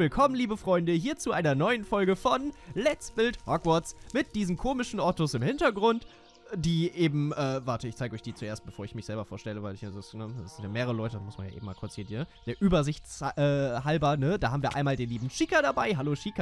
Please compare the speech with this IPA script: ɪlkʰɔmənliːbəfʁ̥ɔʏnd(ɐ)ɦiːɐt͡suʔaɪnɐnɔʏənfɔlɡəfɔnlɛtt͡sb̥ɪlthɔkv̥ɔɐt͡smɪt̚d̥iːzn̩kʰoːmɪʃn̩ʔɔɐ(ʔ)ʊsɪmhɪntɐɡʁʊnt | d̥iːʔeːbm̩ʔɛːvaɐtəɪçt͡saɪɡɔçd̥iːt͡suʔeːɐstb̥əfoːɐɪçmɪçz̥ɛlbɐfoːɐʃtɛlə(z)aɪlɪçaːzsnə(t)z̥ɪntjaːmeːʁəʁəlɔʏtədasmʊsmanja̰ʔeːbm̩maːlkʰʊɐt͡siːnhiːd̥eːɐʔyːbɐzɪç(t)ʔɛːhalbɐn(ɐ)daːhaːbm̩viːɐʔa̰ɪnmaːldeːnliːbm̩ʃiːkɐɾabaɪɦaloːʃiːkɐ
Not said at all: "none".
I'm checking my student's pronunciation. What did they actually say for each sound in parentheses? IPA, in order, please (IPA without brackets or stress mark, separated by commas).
ə, t, v, s, t͡s, ə